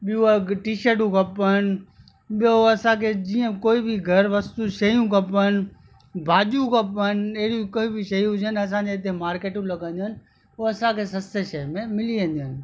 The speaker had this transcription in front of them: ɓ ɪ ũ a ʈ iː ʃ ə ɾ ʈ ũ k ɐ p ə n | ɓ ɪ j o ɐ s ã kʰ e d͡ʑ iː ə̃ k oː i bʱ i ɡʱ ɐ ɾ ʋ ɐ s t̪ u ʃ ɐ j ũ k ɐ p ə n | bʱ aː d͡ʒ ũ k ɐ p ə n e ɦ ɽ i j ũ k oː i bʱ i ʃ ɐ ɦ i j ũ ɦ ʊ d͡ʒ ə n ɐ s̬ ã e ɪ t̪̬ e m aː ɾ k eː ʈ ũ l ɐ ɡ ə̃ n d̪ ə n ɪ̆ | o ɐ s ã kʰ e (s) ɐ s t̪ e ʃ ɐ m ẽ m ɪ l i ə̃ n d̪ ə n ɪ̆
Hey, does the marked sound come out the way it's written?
yes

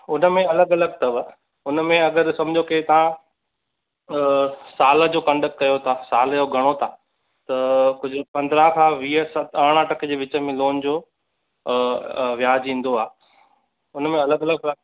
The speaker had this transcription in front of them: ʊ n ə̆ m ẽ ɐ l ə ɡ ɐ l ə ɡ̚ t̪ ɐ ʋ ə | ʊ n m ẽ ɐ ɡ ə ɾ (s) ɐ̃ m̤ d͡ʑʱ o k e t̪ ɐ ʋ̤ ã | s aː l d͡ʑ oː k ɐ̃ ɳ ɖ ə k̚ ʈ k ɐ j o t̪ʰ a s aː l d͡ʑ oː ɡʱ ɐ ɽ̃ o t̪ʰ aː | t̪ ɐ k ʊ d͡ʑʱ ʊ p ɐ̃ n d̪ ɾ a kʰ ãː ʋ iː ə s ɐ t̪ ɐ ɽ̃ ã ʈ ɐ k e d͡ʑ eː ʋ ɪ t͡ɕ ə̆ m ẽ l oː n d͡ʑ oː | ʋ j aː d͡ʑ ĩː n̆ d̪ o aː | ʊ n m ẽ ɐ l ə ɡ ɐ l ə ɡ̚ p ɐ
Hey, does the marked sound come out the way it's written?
yes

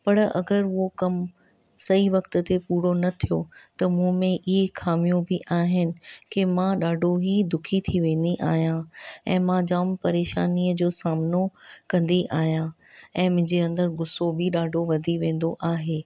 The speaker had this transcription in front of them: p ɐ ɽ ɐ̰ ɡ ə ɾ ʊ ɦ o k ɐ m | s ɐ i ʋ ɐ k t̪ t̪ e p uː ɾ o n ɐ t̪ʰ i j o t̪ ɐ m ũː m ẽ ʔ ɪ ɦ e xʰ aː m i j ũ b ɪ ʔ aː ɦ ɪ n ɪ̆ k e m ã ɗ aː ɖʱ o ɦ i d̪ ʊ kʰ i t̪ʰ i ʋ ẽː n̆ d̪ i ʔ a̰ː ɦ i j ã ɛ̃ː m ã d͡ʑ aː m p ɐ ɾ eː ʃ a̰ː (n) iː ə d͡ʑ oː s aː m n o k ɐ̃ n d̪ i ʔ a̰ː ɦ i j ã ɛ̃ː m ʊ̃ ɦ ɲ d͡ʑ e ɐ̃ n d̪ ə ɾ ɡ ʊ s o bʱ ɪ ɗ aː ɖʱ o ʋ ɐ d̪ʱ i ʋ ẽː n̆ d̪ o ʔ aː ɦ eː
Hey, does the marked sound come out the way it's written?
yes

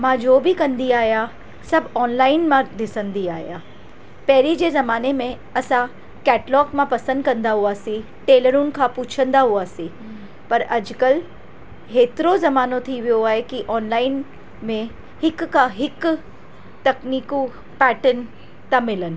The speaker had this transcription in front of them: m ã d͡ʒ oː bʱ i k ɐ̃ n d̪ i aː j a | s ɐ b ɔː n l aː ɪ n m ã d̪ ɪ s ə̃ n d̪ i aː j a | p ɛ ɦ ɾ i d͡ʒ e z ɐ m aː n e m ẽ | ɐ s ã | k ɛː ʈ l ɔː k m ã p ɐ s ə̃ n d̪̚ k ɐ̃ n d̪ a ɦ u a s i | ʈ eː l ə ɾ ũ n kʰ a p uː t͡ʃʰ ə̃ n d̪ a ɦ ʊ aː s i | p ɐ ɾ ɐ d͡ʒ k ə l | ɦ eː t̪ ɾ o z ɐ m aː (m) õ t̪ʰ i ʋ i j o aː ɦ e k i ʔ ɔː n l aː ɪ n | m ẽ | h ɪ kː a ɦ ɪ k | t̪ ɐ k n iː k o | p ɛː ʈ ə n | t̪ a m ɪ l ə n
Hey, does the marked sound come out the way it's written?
no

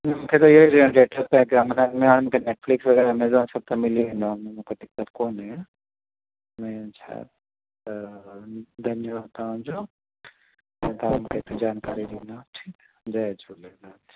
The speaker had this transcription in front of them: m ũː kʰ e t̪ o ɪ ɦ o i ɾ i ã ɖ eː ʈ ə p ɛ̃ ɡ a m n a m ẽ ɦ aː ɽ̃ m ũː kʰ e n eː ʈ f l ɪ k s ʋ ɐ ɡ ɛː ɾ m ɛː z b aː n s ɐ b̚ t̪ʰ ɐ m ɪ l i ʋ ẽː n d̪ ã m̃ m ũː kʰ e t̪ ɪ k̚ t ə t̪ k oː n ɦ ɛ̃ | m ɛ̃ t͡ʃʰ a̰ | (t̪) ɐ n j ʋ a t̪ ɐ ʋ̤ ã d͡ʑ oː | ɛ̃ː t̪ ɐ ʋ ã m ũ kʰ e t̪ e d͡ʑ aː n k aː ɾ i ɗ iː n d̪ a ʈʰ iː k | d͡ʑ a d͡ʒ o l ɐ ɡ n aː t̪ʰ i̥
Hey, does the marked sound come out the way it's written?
no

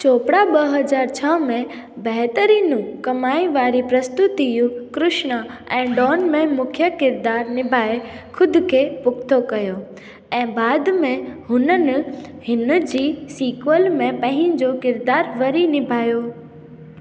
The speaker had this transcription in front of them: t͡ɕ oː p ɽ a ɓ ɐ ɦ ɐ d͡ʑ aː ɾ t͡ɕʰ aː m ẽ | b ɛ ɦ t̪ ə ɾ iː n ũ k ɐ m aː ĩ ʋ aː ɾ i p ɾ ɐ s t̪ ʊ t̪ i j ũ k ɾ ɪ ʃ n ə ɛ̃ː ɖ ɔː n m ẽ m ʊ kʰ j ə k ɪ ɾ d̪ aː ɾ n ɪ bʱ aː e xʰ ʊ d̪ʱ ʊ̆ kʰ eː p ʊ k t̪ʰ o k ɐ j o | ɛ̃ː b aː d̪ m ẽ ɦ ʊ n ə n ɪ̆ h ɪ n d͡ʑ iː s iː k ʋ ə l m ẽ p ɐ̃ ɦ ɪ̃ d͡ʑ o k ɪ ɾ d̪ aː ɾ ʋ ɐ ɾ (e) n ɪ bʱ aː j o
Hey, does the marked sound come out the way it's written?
no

